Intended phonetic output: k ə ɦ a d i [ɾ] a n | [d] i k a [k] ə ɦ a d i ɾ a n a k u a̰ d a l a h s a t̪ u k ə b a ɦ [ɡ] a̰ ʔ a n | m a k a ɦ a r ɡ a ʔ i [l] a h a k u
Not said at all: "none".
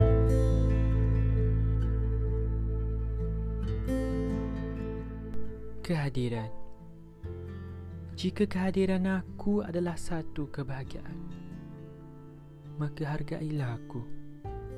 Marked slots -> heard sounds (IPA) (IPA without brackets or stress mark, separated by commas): ɾ, d͡ʒ, k, ɡ, l